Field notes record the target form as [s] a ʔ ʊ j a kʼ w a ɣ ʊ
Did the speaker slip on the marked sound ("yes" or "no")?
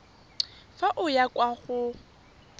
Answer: yes